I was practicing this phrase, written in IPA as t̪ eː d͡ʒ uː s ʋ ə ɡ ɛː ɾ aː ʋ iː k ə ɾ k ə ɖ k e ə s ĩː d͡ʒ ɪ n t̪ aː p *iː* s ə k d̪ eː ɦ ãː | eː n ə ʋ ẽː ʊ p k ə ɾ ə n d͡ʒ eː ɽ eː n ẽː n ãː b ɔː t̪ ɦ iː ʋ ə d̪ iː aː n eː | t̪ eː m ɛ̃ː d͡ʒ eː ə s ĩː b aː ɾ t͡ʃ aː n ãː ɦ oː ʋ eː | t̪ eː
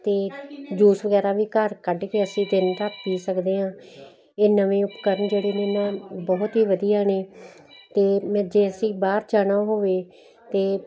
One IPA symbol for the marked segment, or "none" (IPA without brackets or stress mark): iː